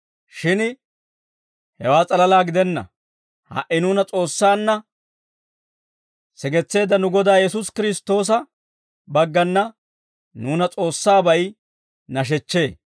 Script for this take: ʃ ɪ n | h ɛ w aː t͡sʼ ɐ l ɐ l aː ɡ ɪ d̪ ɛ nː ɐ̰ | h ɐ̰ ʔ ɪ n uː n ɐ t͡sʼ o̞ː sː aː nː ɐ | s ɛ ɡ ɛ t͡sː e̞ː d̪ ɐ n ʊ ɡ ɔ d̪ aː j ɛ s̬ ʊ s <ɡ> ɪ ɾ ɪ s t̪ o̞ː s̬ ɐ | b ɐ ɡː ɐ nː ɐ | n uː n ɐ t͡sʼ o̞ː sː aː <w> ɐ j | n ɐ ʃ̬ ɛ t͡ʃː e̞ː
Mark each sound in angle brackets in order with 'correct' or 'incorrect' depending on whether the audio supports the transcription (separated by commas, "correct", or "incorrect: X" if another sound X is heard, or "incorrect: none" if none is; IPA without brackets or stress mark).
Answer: incorrect: k, incorrect: b